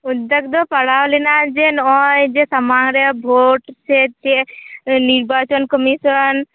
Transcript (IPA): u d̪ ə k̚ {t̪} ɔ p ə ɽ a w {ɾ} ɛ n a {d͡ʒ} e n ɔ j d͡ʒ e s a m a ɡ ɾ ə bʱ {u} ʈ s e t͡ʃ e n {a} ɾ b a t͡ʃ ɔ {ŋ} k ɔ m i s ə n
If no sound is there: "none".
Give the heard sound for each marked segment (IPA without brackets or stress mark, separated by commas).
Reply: d̪, l, d͡ʒ, o, i, n